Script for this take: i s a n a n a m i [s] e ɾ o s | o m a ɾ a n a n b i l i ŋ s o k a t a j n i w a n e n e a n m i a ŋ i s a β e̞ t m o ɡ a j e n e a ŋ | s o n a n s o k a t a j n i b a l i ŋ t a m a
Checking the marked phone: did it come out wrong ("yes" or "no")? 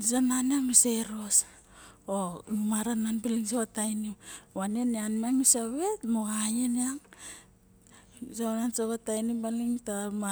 no